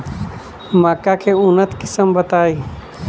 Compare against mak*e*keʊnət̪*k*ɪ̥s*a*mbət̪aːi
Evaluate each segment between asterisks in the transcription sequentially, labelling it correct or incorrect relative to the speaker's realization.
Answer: incorrect: a, correct, incorrect: ə

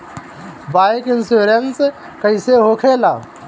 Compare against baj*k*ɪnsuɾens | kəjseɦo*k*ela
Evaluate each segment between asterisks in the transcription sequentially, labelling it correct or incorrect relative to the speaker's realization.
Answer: correct, incorrect: kʰ

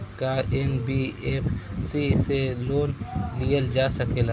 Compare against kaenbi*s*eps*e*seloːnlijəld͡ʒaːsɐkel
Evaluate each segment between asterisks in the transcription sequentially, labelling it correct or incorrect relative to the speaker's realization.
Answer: incorrect: none, incorrect: i

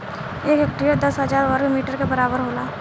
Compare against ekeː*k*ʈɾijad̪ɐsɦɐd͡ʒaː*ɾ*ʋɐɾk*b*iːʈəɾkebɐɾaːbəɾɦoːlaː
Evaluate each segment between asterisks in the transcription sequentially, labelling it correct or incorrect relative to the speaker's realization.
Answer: correct, correct, incorrect: m

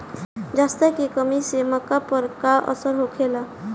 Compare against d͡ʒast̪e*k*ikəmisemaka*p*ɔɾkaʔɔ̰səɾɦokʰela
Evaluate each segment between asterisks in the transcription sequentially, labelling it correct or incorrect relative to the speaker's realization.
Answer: correct, correct

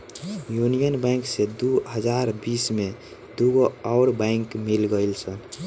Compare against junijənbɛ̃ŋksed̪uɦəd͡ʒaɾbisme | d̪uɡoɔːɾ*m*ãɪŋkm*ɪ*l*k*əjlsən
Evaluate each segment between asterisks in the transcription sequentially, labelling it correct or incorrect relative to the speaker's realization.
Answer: incorrect: b, incorrect: i, incorrect: ɡ

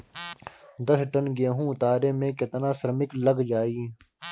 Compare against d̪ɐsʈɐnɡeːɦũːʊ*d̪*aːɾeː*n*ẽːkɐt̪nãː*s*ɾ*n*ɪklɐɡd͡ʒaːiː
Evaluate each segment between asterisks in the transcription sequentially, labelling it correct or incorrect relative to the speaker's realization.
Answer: incorrect: t̪, incorrect: m, correct, incorrect: m

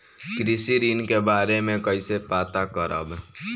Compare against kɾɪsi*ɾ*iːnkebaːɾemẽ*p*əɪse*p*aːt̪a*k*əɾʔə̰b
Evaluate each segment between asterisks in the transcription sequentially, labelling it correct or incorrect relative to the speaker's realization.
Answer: correct, incorrect: k, correct, correct

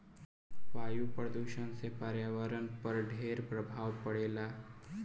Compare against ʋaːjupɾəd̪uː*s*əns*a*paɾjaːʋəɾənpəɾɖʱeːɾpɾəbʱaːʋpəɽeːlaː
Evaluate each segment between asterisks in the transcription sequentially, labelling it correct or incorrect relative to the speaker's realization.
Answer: incorrect: ʃ, incorrect: e

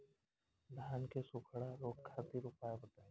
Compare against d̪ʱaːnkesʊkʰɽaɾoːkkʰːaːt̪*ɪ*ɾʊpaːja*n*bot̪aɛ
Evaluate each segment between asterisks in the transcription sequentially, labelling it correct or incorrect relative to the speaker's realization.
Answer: incorrect: i, incorrect: none

